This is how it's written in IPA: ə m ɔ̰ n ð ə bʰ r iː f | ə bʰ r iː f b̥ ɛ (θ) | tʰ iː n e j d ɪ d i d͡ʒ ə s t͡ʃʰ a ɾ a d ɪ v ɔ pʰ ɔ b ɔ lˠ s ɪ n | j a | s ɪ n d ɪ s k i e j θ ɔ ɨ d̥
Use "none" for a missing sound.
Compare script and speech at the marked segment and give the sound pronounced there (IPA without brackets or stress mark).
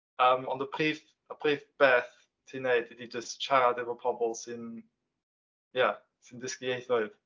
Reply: θ